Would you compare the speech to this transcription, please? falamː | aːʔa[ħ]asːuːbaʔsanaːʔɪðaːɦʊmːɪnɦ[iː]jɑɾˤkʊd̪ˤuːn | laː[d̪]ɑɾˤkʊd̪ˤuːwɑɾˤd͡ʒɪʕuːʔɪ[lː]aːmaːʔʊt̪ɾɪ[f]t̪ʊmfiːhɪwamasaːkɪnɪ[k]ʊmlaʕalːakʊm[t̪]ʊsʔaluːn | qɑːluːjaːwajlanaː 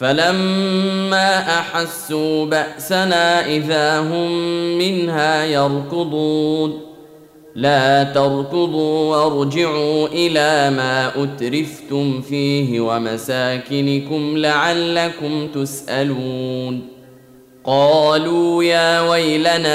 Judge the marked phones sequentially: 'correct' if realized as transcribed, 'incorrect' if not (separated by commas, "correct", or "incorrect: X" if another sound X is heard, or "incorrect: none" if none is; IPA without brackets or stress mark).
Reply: correct, incorrect: aː, incorrect: t̪, incorrect: l, correct, correct, correct